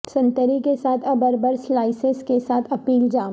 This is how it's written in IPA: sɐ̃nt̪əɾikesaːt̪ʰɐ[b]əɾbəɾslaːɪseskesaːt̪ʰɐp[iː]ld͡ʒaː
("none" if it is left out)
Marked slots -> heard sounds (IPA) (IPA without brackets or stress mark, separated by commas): b, iː